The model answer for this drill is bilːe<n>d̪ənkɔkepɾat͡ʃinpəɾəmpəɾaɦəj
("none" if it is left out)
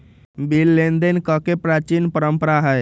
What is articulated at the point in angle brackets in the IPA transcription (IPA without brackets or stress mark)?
n